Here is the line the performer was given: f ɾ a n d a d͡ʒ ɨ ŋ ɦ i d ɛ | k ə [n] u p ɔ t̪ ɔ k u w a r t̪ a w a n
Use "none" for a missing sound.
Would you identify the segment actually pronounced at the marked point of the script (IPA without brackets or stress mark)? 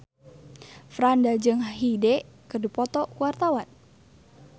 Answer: d